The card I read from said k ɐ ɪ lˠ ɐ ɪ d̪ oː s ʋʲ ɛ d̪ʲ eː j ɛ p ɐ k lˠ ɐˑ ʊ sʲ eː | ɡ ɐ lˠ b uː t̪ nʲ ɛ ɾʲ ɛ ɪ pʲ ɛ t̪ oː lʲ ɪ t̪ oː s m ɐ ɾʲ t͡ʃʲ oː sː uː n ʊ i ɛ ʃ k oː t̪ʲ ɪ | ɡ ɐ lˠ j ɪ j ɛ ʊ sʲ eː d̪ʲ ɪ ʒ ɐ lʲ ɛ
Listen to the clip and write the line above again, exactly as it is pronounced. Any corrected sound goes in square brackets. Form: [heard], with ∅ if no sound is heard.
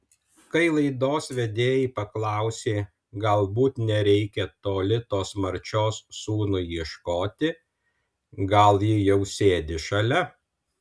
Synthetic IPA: k ɐ ɪ lˠ ɐ ɪ d̪ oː s ʋʲ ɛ d̪ʲ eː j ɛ p ɐ k lˠ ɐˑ ʊ sʲ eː | ɡ ɐ lˠ b uː t̪ nʲ ɛ ɾʲ ɛ ɪ [kʲ] ɛ t̪ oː lʲ ɪ t̪ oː s m ɐ ɾʲ t͡ʃʲ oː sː uː n ʊ i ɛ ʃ k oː t̪ʲ ɪ | ɡ ɐ lˠ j ɪ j ɛ ʊ sʲ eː d̪ʲ ɪ [ʃ] ɐ lʲ ɛ